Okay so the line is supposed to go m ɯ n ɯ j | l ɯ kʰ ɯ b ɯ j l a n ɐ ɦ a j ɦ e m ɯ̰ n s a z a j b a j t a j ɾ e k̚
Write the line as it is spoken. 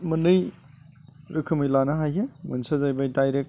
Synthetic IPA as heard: m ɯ n ɯ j | ɾ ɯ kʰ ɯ m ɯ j l a n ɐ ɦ a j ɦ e m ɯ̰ n s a z a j b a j d a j ɾ e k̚